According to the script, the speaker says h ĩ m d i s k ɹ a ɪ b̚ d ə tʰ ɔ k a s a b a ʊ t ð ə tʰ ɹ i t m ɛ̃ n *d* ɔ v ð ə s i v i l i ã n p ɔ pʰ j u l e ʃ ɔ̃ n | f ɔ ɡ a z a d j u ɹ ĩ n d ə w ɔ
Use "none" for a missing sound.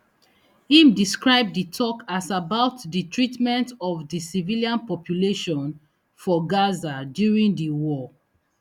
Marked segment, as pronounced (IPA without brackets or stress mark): t